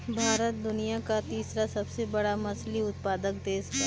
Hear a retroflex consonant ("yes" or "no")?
yes